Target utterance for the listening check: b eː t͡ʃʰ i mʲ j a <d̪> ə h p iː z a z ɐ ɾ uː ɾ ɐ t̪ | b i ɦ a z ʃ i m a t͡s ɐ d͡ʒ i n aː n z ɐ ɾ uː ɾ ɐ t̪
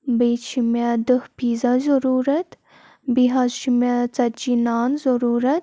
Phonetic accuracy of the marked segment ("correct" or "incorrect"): correct